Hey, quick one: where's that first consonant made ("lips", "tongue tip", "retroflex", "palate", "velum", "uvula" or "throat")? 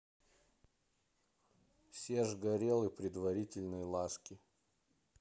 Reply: lips